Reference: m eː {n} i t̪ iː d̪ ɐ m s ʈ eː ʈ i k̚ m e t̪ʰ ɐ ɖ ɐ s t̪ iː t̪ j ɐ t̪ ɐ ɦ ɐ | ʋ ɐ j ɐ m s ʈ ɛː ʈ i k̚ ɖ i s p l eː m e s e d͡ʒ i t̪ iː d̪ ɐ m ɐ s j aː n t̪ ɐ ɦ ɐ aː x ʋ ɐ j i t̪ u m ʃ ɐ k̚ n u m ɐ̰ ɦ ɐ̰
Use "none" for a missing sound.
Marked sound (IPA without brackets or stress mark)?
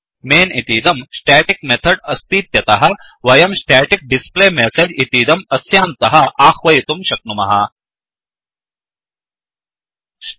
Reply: n